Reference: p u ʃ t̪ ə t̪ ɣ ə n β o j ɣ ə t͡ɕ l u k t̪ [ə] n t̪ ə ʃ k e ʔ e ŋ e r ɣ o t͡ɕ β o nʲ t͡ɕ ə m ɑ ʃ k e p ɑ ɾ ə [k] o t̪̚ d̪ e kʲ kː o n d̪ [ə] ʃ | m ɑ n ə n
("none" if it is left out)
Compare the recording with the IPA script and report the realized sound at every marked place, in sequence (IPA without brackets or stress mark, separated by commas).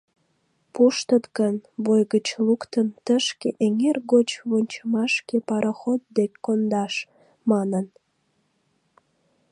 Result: ə, x, ɑ